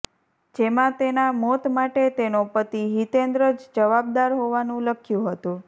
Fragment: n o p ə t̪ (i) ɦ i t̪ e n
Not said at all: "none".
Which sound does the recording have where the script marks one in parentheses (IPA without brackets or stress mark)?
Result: i